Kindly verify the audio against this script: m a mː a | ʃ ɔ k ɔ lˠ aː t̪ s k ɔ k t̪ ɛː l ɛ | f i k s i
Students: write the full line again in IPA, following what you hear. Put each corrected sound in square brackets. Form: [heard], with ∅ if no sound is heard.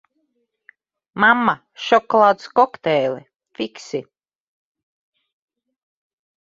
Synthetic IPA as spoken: m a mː a | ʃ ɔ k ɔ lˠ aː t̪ s k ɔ k t̪ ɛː l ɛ | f i k s i